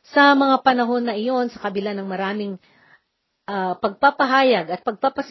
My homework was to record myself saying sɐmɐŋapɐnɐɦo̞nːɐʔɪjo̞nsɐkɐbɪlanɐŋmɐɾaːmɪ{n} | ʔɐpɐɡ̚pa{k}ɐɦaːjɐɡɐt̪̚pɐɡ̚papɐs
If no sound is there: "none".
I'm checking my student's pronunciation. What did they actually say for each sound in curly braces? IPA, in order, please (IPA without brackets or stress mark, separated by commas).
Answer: ŋ, p